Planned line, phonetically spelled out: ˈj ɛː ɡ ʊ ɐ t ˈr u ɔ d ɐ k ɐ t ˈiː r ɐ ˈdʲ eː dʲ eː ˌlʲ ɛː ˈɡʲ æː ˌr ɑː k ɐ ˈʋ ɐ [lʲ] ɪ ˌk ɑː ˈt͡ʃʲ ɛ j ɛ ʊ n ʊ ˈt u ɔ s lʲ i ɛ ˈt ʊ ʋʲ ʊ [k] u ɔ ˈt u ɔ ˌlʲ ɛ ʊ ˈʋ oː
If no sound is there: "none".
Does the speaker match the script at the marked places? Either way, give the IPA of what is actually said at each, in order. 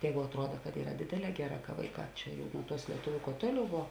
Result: none, k

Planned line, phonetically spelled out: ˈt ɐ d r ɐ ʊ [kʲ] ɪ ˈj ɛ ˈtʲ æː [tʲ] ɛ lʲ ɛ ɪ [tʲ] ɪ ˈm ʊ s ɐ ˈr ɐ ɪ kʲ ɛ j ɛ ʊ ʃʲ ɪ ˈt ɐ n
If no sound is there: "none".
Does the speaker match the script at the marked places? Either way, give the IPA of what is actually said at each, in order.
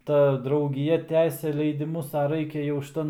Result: ɡʲ, sʲ, dʲ

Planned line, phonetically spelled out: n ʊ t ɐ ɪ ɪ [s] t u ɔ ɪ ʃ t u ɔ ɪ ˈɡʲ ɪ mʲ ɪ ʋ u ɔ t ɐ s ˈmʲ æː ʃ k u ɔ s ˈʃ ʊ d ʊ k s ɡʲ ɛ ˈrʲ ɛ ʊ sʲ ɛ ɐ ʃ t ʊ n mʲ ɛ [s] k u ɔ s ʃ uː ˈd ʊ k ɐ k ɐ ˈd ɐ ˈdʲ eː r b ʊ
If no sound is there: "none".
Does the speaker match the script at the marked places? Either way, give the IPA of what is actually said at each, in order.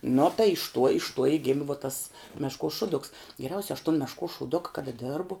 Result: ʃ, ʃ

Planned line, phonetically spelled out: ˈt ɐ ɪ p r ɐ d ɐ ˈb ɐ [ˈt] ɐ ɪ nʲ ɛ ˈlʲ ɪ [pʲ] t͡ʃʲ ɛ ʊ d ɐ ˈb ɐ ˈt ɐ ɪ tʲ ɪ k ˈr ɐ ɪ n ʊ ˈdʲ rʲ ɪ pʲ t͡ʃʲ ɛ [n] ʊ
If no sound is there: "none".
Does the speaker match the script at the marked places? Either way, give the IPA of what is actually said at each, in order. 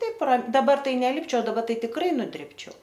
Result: t, pʲ, none

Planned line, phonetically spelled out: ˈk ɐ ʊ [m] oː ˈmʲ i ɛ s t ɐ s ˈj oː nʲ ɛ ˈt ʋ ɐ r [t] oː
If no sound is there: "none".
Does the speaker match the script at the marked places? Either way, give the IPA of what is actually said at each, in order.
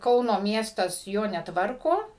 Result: n, k

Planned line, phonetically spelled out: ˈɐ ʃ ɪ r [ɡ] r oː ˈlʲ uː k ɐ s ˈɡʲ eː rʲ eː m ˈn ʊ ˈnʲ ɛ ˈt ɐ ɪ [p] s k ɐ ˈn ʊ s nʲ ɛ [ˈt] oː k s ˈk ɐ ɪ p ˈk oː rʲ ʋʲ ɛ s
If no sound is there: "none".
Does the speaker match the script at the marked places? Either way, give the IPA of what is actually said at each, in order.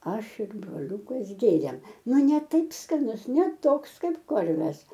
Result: b, p, t

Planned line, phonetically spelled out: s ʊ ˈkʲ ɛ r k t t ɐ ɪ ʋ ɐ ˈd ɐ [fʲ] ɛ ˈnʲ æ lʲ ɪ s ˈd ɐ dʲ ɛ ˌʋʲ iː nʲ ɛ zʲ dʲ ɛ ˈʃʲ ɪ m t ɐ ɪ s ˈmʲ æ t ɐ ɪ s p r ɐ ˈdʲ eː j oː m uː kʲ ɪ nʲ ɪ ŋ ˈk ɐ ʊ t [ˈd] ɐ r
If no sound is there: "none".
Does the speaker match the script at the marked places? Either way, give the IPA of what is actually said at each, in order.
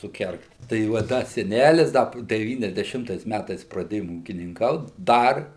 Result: sʲ, d

